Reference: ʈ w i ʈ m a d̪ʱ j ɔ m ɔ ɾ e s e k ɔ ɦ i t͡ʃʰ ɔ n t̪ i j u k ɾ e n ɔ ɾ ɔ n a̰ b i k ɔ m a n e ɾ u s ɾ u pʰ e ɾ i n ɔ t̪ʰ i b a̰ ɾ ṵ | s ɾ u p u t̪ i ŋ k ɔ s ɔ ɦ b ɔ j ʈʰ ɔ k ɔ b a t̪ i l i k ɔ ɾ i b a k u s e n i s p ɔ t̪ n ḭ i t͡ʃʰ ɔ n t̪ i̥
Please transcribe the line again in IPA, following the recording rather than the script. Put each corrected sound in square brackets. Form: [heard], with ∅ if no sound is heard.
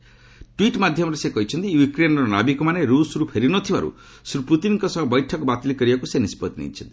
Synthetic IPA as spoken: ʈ w i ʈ m a d̪ʱ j ɔ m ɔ ɾ e s e k ɔ ɦ i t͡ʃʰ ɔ n t̪ i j u k ɾ e n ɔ ɾ ɔ n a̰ b i k ɔ m a n e ɾ u s ɾ u pʰ e ɾ i n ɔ t̪ʰ i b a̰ ɾ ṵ | s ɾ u p u t̪ i [n] k ɔ s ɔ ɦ b ɔ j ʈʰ ɔ k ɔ b a t̪ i l i k ɔ ɾ i b a k u s e n i s p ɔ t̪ n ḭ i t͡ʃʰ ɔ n t̪ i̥

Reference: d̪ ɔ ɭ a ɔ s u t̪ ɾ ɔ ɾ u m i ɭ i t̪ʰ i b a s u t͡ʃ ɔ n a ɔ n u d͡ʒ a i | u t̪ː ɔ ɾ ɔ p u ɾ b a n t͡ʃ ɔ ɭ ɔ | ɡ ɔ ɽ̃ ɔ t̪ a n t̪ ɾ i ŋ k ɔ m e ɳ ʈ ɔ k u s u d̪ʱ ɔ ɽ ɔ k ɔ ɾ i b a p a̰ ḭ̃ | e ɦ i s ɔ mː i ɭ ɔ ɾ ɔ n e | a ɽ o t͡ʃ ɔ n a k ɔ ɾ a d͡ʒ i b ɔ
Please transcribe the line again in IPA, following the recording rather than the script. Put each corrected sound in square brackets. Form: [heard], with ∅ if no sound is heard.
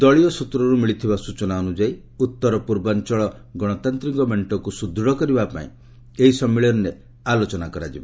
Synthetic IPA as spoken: d̪ ɔ ɭ [i] ɔ s u t̪ ɾ ɔ ɾ u m i ɭ i t̪ʰ i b a s u t͡ʃ ɔ n a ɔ n u d͡ʒ a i | u t̪ː ɔ ɾ ɔ p u ɾ b a n t͡ʃ ɔ ɭ ɔ | ɡ ɔ ɽ̃ ɔ t̪ a n t̪ ɾ i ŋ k ɔ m e ɳ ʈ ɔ k u s u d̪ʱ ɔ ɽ ɔ k ɔ ɾ i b a p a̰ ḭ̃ | e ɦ i s ɔ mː i ɭ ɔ ɾ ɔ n e | a [l] o t͡ʃ ɔ n a k ɔ ɾ a d͡ʒ i b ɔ

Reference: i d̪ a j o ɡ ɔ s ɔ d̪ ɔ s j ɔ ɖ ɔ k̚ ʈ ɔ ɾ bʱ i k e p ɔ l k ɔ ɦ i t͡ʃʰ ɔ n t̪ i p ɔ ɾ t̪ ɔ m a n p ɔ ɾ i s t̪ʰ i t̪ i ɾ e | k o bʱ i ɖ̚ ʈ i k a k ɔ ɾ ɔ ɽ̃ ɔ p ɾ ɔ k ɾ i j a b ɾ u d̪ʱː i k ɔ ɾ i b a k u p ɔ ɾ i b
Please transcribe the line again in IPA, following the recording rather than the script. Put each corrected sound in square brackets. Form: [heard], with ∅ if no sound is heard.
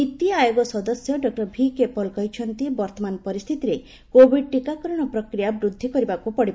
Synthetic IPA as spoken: i [t̪] a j o ɡ ɔ s ɔ d̪ ɔ s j ɔ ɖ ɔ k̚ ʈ ɔ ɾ bʱ i k e p ɔ l k ɔ ɦ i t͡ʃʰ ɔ n t̪ i [b] ɔ ɾ t̪ ɔ m a n p ɔ ɾ i s t̪ʰ i t̪ i ɾ e | k o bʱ i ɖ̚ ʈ i k a k ɔ ɾ ɔ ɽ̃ ɔ p ɾ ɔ k ɾ i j a b ɾ u d̪ʱː i k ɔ ɾ i b a k u p ɔ [ɽ] i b

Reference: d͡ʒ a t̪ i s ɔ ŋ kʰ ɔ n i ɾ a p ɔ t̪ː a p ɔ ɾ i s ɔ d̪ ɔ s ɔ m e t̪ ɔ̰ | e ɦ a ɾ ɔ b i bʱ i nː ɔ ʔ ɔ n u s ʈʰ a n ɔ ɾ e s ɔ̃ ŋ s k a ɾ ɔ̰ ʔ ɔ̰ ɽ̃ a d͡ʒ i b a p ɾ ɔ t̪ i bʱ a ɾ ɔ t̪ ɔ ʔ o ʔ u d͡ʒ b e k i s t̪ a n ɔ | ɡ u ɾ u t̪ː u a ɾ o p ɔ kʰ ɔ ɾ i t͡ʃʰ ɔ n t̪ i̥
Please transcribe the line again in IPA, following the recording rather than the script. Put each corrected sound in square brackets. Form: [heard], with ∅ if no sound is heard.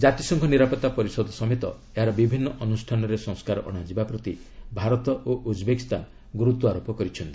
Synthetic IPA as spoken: d͡ʒ a t̪ i s ɔ ŋ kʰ ɔ n i ɾ a p ɔ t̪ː a p ɔ ɾ i s ɔ d̪ ɔ s ɔ m e t̪ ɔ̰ | e ɦ a ɾ ɔ b i bʱ i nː ɔ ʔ ɔ n u s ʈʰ a n ɔ ɾ e s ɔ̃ ŋ s k a ɾ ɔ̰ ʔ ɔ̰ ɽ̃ a d͡ʒ i b a p ɾ ɔ t̪ i bʱ a ɾ ɔ t̪ ɔ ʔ o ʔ u d͡ʒ b e k i s t̪ a n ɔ | ɡ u ɾ u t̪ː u a ɾ o p ɔ [k] ɔ ɾ i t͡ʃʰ ɔ n t̪ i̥

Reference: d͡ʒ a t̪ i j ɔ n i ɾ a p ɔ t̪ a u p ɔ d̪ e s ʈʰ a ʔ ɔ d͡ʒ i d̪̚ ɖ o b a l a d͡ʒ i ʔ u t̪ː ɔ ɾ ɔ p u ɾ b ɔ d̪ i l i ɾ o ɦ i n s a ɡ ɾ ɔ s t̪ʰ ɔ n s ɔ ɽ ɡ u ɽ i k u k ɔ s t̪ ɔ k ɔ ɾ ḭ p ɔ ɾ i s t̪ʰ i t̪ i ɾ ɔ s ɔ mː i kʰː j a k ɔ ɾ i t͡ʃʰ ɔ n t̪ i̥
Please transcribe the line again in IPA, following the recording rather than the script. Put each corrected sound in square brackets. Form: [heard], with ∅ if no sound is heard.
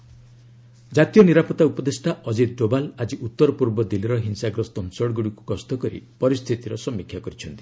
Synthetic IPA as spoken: d͡ʒ a t̪ i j ɔ n i ɾ a p ɔ t̪ a u p ɔ d̪ e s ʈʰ a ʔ ɔ d͡ʒ i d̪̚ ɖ o b a l a d͡ʒ i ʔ u t̪ː ɔ ɾ ɔ p u ɾ b ɔ d̪ i l i ɾ [ɔ] ɦ i n s a ɡ ɾ ɔ s [t̪] ɔ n s ɔ ɽ ɡ u ɽ i k u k ɔ s t̪ ɔ k ɔ ɾ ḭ p ɔ ɾ i s t̪ʰ i t̪ i ɾ ɔ s ɔ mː i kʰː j a k ɔ ɾ i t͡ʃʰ ɔ n t̪ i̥

